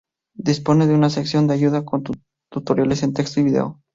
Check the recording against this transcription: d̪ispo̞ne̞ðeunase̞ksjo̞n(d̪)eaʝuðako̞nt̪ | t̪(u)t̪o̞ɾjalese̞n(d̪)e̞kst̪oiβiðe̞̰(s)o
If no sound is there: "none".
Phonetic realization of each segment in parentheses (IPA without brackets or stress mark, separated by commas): d̪, u, t̪, none